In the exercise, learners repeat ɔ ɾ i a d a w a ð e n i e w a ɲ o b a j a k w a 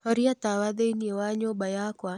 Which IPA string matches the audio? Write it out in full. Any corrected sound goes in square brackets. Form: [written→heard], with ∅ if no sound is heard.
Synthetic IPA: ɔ ɾ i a [d→t] a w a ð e n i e w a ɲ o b a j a k w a